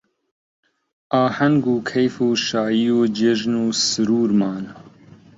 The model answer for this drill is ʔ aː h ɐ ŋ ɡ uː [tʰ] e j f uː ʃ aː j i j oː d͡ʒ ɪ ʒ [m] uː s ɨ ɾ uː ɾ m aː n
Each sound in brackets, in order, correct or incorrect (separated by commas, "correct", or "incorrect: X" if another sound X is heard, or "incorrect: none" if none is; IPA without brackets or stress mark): incorrect: kʰ, incorrect: n